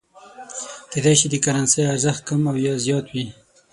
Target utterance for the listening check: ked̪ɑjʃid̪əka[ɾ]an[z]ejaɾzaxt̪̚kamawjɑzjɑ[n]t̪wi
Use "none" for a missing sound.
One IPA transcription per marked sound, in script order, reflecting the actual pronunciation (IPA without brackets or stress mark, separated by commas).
ɾ, s, none